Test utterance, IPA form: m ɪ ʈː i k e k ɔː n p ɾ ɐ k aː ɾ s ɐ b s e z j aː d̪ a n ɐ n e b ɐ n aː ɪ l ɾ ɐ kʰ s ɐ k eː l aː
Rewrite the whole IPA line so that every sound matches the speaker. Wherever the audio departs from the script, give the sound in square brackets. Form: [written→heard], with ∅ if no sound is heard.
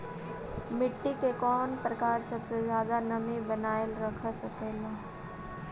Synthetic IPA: m ɪ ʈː i k e k ɔː n p ɾ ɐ k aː ɾ s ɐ b s e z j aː d̪ a n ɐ [n→m] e b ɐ n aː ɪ l ɾ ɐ kʰ s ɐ k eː l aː